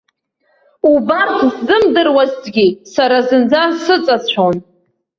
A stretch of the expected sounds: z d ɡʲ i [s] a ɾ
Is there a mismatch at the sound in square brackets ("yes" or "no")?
no